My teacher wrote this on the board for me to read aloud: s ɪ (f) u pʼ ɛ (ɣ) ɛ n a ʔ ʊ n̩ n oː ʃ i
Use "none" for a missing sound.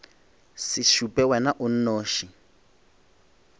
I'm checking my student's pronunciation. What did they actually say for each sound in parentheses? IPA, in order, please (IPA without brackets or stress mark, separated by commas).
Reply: ʃ, w